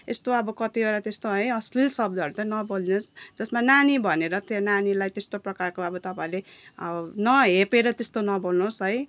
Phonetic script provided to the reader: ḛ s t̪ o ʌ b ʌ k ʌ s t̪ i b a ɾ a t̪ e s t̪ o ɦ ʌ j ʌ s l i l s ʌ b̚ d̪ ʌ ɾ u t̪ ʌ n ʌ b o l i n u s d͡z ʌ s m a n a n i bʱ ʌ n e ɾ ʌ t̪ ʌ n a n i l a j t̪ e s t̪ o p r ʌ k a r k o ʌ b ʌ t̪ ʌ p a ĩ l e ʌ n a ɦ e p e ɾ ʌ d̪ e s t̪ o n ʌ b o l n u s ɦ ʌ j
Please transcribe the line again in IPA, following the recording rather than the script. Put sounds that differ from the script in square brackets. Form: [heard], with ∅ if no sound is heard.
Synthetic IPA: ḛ s t̪ o ʌ b ʌ k ʌ [∅] t̪ i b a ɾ a t̪ e s t̪ o ɦ ʌ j ʌ s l i l s ʌ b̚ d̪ ʌ ɾ u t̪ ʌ n ʌ b o l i n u s d͡z ʌ s m a n a n i bʱ ʌ n e ɾ ʌ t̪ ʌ n a n i l a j t̪ e s t̪ o p r ʌ k a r k o ʌ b ʌ t̪ ʌ p a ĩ l e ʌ n [ʌ] ɦ e p e ɾ ʌ [t̪] e s t̪ o n ʌ b o l n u s ɦ ʌ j